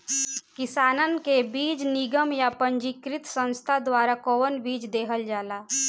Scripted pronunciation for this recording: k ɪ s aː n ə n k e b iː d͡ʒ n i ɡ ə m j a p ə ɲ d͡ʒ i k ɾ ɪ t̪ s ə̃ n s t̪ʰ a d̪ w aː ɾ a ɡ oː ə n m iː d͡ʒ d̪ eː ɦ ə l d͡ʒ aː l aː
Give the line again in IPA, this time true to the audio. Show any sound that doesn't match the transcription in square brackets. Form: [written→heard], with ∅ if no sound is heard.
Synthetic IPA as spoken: k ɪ s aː n ə n k e b iː d͡ʒ n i ɡ ə m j a p ə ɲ d͡ʒ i k ɾ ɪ t̪ s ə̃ n s t̪ʰ a d̪ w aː ɾ a [ɡ→k] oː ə n [m→b] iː d͡ʒ d̪ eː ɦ ə l d͡ʒ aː l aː